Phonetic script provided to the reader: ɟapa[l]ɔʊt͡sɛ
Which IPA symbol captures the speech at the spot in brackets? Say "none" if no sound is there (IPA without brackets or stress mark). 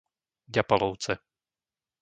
l